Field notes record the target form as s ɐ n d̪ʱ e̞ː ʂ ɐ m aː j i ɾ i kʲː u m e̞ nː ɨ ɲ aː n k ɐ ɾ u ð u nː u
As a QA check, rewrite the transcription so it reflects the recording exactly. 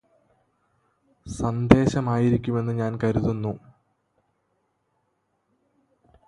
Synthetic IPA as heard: s ɐ n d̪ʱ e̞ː ɕ ɐ m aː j i ɾ i kʲː u m e̞ nː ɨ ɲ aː n k ɐ ɾ u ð u nː u

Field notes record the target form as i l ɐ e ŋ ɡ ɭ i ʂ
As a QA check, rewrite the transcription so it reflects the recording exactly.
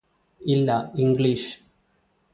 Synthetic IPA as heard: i lː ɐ i ŋ ɡ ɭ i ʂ

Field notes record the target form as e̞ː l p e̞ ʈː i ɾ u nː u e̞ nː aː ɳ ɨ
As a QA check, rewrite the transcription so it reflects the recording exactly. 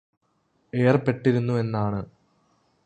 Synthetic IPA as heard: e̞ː r p e̞ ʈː i ɾ u nː u e̞ nː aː ɳ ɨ

